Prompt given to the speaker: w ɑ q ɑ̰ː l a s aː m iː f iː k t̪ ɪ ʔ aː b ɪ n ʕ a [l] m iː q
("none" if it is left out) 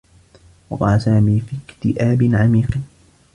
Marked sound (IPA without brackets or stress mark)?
none